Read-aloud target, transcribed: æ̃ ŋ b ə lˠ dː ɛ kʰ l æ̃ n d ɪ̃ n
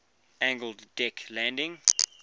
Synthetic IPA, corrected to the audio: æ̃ ŋ ɡ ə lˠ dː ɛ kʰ l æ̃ n d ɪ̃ ŋ